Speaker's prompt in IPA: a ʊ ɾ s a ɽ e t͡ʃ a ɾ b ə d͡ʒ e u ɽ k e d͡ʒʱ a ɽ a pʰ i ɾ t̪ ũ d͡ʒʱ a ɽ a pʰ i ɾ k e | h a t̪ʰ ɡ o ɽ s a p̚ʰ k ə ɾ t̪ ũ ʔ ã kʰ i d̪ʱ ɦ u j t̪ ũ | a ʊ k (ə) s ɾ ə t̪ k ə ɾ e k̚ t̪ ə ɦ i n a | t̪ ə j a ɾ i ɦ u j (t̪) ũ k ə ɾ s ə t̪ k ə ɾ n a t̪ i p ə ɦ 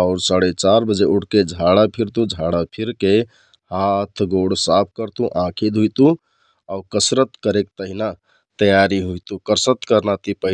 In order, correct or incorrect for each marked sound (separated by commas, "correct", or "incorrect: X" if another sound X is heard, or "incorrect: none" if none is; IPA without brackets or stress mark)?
correct, correct